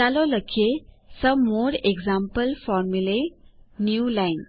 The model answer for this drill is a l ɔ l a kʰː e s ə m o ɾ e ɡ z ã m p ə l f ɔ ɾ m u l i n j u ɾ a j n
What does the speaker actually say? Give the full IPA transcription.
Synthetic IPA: a l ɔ l ə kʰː e s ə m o ɾ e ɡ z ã m p ə l f ɔ ɾ m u l e n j u l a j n